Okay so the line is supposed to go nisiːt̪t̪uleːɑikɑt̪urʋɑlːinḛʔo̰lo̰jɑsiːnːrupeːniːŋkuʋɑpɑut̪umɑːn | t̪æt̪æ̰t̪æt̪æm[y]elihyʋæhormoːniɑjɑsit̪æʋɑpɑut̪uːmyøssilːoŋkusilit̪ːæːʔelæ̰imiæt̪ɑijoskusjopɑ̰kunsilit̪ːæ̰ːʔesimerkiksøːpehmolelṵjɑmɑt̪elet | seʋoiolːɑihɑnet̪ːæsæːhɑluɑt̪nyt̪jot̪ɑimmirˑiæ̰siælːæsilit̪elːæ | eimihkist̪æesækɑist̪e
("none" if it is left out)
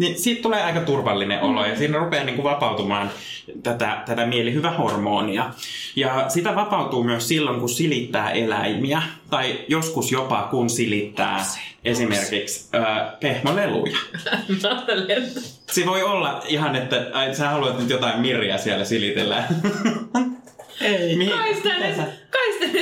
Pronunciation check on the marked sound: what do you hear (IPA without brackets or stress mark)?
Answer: i